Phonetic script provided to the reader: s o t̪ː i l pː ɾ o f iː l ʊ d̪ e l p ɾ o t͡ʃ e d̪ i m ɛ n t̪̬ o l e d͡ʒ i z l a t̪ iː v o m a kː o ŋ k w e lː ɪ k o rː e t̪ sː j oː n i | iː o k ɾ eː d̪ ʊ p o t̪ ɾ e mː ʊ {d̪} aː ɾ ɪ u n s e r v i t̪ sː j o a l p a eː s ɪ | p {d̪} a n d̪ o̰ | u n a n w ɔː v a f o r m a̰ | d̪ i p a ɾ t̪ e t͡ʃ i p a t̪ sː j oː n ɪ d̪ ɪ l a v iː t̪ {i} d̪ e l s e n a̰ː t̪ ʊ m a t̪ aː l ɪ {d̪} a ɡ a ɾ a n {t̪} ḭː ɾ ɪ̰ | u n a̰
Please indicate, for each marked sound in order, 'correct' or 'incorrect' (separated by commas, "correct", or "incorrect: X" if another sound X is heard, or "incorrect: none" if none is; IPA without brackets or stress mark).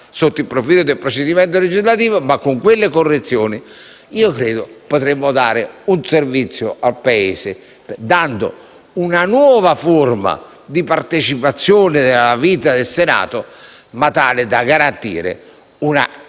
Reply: correct, correct, incorrect: a, correct, correct